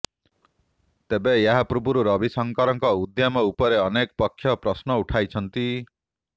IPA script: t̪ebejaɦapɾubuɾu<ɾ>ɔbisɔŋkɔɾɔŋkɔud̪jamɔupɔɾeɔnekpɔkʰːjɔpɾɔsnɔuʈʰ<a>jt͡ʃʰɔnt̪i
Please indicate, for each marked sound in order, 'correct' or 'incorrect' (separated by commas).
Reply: correct, correct